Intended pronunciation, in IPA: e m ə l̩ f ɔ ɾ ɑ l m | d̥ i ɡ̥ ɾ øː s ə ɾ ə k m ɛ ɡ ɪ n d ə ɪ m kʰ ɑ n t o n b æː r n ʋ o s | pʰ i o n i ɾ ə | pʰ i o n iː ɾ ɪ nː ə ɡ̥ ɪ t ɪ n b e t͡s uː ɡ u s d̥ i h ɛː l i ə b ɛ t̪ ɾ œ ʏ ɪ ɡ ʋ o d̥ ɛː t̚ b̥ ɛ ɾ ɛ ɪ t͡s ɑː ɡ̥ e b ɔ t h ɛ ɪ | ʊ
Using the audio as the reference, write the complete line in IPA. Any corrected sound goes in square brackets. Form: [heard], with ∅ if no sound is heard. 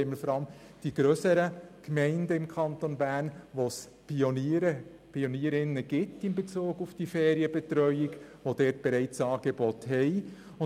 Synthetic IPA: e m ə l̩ f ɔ ɾ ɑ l m | d̥ i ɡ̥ ɾ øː s ə ɾ ə k m ɛ [∅] ɪ n d ə ɪ m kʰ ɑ n t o n b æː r n ʋ o s | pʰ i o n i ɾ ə | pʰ i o n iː ɾ ɪ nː ə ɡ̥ ɪ t ɪ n b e t͡s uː ɡ u [f] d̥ i [f] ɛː [ɾ] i ə b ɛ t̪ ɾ œ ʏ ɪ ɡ ʋ o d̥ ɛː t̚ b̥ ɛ ɾ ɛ ɪ t͡s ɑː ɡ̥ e b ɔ t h ɛ ɪ | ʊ